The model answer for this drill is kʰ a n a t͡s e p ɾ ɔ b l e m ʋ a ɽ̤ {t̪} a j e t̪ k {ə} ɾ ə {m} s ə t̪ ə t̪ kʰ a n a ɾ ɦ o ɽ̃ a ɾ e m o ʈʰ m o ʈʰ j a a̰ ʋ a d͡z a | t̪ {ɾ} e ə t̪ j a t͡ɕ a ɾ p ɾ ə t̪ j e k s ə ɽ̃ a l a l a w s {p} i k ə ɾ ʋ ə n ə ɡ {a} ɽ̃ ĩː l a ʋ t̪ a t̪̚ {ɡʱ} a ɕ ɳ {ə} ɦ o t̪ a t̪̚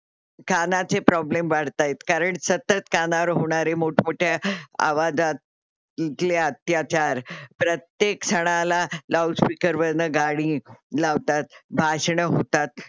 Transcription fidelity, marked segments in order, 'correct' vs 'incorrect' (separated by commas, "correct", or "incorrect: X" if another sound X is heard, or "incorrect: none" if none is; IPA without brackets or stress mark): correct, incorrect: a, incorrect: ɳ, incorrect: l, correct, correct, incorrect: bʱ, correct